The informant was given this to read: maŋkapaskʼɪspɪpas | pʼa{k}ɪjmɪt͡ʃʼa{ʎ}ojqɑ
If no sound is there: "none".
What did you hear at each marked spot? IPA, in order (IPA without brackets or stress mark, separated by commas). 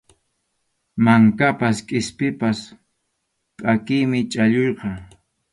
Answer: k, ʎ